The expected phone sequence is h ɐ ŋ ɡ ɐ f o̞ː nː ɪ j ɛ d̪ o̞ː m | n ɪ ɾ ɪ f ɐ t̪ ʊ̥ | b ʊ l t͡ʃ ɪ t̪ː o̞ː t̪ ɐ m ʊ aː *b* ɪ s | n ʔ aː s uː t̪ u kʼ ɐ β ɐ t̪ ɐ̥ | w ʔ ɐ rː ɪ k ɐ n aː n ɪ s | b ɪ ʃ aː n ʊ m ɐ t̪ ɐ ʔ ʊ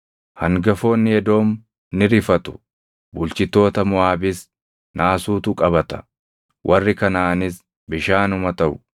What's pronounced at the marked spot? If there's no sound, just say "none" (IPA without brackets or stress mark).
b